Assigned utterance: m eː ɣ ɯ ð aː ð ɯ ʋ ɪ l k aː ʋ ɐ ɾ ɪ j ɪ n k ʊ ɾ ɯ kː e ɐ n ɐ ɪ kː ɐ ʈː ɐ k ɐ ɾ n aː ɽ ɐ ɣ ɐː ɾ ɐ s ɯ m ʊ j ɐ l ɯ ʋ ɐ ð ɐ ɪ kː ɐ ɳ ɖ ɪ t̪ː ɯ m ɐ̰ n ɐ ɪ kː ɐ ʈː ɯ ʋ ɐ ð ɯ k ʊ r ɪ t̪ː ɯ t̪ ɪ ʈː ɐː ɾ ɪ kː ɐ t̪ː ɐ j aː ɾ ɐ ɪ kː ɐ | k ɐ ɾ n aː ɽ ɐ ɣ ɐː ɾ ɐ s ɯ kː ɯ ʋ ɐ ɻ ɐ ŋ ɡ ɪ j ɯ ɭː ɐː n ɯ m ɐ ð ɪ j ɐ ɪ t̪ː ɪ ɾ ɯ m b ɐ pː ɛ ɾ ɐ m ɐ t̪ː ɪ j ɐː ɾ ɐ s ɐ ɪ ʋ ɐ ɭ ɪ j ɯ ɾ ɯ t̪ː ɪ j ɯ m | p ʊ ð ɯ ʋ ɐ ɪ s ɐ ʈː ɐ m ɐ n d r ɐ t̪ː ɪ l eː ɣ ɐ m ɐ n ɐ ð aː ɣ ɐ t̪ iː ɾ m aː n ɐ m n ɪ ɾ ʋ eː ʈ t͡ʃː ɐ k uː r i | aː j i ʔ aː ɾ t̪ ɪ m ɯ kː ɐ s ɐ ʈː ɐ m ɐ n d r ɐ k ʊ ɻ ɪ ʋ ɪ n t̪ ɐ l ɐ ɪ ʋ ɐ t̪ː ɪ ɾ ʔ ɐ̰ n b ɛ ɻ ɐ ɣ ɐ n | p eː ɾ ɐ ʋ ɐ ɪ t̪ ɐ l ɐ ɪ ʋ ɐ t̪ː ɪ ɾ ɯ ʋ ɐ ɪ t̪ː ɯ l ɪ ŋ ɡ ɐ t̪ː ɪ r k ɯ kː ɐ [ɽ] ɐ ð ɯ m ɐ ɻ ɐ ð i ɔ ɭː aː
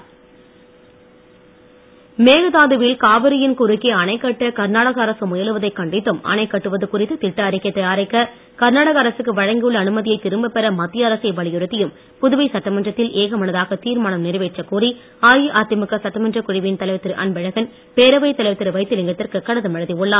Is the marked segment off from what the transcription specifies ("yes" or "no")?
no